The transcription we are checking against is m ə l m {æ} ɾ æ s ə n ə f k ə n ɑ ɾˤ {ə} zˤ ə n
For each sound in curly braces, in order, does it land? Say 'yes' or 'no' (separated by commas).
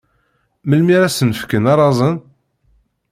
no, no